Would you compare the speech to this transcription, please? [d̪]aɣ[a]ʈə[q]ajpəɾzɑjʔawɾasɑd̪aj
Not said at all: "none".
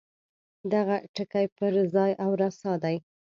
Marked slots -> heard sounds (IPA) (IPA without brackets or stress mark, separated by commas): d̪, a, k